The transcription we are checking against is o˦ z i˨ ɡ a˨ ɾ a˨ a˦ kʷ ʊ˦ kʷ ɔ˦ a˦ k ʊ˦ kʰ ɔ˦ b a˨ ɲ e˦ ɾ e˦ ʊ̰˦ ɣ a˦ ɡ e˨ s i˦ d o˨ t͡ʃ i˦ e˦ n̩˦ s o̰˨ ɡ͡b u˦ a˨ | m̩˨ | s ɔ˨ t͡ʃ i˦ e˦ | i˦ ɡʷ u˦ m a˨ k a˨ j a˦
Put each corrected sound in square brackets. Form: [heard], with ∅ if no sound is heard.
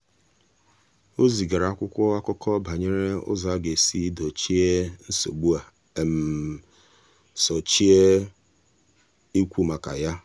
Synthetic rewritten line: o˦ z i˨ ɡ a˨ ɾ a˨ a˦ kʷ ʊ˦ kʷ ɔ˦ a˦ k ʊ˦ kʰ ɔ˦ b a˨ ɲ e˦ ɾ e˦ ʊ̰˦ [z] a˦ ɡ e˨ s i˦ d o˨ t͡ʃ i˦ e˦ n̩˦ s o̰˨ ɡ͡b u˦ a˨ | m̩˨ | s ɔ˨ t͡ʃ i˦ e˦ | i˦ [kʷ] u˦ m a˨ k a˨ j a˦